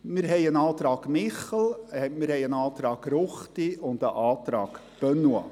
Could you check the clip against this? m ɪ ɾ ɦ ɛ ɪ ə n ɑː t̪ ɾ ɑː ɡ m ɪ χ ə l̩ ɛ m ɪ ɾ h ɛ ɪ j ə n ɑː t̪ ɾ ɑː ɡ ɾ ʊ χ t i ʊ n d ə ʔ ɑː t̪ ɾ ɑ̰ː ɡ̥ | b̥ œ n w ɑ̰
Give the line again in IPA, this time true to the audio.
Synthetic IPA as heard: m ɪ ɾ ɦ ɛ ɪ ə n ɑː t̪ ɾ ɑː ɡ m ɪ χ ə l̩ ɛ m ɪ ɾ h ɛ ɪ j ə n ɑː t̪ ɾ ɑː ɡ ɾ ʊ χ t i ʊ n d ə ʔ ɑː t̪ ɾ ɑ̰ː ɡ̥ | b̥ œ n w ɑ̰